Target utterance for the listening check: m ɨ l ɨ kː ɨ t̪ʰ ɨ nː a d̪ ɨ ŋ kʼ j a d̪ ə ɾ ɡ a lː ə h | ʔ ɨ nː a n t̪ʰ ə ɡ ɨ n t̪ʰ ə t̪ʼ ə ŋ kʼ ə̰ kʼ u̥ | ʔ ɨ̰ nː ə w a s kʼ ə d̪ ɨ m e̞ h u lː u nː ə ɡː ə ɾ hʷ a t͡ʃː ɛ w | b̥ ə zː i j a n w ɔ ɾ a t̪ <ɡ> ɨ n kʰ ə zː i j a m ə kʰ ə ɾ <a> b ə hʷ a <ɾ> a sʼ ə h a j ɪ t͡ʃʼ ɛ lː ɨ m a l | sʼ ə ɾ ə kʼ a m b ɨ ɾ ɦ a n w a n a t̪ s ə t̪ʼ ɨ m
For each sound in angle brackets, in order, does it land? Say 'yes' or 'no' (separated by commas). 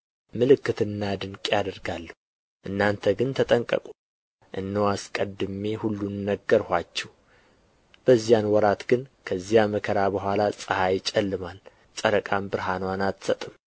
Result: yes, yes, no